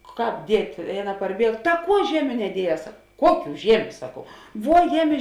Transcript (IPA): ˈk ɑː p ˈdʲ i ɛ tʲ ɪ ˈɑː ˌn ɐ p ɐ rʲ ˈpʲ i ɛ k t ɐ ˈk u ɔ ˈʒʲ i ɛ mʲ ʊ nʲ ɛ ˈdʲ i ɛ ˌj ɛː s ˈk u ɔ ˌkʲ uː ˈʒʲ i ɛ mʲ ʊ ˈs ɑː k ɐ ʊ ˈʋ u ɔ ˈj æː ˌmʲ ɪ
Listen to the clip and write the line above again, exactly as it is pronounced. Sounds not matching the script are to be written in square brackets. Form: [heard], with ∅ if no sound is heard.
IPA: ˈk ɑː p ˈdʲ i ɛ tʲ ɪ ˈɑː ˌn ɐ p ɐ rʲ [ˈbʲ] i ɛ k t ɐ ˈk u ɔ ˈʒʲ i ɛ mʲ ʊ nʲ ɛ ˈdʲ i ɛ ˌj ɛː s ˈk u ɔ ˌkʲ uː ˈʒʲ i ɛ mʲ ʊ ˈs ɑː k ɐ ʊ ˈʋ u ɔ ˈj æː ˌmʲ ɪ